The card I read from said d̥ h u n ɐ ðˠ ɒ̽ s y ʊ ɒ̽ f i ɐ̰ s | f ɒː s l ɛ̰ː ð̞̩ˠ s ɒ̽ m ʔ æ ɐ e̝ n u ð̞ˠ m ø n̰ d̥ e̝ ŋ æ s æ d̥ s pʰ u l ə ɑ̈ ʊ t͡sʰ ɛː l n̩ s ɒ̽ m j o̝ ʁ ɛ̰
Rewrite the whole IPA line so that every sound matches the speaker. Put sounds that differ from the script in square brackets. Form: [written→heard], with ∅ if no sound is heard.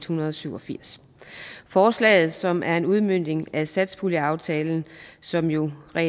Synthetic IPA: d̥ h u n ɐ ðˠ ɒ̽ s y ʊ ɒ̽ f i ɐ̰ s | f ɒː s l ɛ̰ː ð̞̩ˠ s ɒ̽ m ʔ æ ɐ e̝ n u ð̞ˠ m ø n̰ d̥ e̝ ŋ æ s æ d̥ s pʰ u l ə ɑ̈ ʊ t͡sʰ ɛː l n̩ s ɒ̽ m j o̝ ʁ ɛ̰